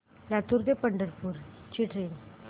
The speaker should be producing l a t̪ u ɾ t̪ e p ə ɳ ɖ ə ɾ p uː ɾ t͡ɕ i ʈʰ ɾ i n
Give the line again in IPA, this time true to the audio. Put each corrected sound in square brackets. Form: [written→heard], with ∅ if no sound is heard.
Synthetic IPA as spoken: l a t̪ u ɾ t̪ e p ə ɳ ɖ ə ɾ p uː ɾ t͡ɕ i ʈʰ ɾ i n